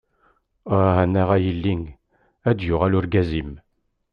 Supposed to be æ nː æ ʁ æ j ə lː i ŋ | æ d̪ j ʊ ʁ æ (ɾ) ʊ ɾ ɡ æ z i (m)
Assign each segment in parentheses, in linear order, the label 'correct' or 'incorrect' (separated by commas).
incorrect, correct